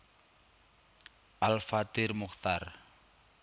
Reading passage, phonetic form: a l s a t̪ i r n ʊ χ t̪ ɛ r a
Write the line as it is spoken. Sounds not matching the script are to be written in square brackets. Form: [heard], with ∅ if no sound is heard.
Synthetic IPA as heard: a l [f] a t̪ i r [m] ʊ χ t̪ [a] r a